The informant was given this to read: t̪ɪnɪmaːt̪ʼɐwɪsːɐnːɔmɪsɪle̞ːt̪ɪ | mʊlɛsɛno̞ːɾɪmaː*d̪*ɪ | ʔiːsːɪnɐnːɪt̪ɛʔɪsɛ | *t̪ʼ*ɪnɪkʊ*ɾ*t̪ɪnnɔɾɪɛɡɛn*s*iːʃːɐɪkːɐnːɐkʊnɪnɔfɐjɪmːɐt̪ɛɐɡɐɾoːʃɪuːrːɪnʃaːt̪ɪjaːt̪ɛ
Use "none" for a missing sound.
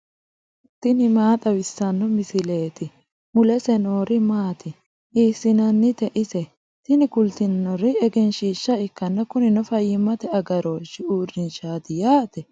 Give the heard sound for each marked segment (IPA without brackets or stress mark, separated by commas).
t̪, t̪, l, ʃ